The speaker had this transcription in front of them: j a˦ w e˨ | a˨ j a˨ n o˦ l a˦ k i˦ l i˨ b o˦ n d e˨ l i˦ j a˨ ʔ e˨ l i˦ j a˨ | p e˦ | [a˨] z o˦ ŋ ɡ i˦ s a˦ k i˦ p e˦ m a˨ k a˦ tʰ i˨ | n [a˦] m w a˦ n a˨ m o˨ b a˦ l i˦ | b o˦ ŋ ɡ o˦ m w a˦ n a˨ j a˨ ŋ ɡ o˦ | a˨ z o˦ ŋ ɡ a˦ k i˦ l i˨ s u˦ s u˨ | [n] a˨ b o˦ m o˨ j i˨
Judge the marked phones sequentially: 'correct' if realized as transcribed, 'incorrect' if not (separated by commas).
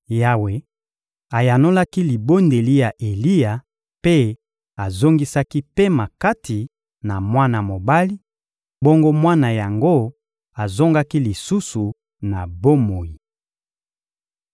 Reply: correct, incorrect, correct